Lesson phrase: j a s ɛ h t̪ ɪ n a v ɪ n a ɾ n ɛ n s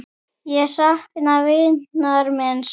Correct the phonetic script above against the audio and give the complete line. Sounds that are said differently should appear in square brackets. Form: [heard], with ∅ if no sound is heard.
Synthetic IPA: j [ɛ] s [a] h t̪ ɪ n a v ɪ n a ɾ [m] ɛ n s